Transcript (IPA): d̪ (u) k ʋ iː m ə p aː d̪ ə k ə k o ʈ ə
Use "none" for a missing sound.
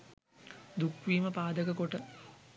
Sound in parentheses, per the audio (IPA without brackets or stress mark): u